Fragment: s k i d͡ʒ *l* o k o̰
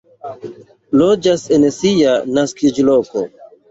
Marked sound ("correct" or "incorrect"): correct